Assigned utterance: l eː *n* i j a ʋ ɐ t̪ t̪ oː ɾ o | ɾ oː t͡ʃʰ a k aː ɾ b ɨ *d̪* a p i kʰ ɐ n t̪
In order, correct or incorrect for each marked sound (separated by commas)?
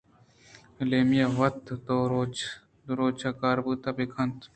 incorrect, incorrect